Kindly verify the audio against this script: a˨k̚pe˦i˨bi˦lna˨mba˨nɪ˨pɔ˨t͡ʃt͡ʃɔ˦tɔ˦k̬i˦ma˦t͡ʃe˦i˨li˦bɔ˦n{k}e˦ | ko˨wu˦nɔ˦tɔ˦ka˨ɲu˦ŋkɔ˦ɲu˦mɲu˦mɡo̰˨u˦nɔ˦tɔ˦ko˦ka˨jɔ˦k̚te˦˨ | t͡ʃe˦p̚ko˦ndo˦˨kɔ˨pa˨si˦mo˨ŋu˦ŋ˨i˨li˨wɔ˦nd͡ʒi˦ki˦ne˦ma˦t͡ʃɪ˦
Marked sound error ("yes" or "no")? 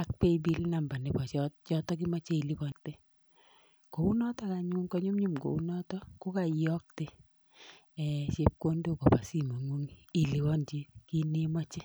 yes